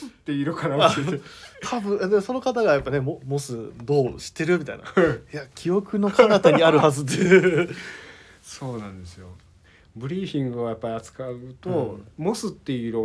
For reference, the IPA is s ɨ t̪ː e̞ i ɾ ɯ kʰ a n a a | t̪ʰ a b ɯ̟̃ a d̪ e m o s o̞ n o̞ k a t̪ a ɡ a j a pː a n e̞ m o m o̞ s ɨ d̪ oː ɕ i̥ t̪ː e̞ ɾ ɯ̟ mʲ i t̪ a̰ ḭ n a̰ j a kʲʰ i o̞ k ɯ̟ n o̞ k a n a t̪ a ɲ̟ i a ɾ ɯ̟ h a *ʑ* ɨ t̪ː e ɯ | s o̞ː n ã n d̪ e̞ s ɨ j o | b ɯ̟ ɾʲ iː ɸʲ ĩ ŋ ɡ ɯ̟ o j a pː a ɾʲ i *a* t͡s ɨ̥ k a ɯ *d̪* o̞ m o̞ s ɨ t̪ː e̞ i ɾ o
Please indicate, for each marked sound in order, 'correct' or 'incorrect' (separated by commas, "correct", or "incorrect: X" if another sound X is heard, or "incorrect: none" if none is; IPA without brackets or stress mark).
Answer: incorrect: z, correct, incorrect: t̪